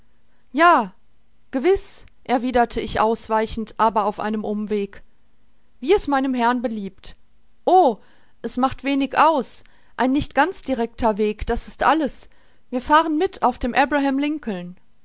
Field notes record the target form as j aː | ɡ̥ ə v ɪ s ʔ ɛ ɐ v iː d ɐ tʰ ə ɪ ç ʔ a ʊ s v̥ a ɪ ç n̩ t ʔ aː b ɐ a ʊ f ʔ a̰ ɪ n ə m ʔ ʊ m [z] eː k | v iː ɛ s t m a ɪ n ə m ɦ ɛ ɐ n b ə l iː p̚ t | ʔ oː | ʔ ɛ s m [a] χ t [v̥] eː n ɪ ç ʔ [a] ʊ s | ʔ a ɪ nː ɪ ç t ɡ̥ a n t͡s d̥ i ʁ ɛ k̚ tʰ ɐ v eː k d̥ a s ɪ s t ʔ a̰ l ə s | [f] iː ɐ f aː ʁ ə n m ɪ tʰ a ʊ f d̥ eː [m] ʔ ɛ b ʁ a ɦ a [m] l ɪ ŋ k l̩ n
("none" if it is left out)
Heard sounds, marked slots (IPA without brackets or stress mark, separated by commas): v, a, v̥, a, v, m, m